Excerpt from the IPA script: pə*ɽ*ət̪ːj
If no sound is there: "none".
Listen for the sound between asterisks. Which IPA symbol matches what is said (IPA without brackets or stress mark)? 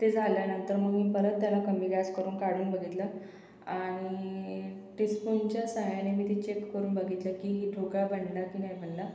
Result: ɾ